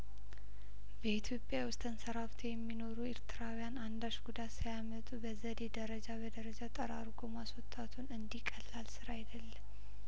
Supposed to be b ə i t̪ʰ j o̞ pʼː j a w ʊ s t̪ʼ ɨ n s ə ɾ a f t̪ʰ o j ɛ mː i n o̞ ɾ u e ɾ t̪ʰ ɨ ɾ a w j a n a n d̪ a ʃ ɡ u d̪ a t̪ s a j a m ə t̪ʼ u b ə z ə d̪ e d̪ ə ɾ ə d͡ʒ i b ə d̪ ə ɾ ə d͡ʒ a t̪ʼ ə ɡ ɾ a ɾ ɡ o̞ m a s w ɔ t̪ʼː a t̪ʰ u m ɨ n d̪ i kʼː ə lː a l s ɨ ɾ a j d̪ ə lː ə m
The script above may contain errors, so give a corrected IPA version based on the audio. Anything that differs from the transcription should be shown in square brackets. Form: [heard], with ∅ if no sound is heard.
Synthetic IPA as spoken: b ə i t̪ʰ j o̞ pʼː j a w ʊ s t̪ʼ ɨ n s ə ɾ a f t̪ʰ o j ɛ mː i n o̞ ɾ u e ɾ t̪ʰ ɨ ɾ a w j a n a n d̪ a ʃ ɡ u d̪ a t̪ s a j a m ə t̪ʼ u b ə z ə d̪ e d̪ ə ɾ ə d͡ʒ [a] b ə d̪ ə ɾ ə d͡ʒ a t̪ʼ ə [∅] ɾ a ɾ ɡ o̞ m a s w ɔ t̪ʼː a t̪ʰ u [n] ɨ n d̪ i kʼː ə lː a l s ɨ ɾ a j d̪ ə lː ə m